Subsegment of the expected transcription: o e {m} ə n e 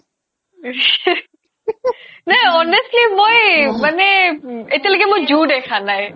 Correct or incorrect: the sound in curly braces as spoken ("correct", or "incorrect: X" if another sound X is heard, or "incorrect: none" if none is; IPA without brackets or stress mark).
correct